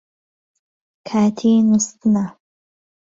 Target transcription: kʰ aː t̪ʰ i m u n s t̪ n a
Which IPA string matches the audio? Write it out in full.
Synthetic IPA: kʰ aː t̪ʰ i n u s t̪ n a